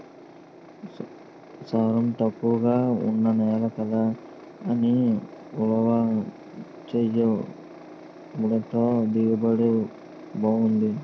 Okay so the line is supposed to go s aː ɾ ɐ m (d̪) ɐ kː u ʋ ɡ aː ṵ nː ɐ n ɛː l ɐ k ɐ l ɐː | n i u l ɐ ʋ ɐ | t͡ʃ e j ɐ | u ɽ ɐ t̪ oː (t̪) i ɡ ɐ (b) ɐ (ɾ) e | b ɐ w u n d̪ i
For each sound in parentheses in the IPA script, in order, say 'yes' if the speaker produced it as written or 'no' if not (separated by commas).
no, no, yes, no